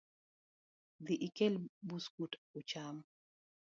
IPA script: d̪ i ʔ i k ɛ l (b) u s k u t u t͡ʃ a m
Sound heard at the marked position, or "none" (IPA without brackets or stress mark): b